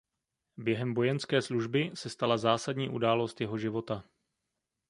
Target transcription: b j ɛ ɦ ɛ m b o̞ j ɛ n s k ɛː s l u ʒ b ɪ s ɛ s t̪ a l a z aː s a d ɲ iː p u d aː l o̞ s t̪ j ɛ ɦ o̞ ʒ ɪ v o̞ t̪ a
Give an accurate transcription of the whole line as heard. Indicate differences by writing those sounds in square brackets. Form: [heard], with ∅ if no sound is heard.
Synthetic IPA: b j ɛ ɦ ɛ m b o̞ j ɛ n s k ɛː s l u ʒ b ɪ s ɛ s t̪ a l a z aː s a d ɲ iː [ʔ] u d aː l o̞ s t̪ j ɛ ɦ o̞ ʒ ɪ v o̞ t̪ a